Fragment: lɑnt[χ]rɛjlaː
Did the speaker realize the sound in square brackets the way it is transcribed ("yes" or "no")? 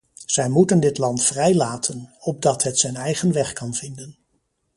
no